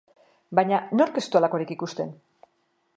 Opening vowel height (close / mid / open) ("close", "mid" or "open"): open